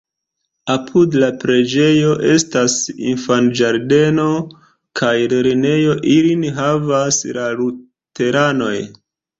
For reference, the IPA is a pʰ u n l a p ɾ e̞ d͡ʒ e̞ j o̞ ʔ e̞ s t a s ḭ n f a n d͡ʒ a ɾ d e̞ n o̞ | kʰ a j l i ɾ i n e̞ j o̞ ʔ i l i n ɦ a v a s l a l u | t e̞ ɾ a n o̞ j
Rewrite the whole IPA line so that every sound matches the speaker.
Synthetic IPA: a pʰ u d l a p ɾ e̞ d͡ʒ e̞ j o̞ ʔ e̞ s t a s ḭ n f a n d͡ʒ a ɾ d e̞ n o̞ | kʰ a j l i ɾ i n e̞ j o̞ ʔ i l i n ɦ a v a s l a l u | t e̞ ɾ a n o̞ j